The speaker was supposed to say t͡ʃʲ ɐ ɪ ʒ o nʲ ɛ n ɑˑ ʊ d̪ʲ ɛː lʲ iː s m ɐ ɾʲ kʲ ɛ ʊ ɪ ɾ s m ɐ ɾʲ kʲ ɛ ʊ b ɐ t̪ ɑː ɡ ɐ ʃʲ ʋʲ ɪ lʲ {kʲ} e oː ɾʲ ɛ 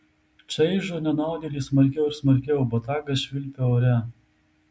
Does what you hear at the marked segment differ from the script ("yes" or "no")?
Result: yes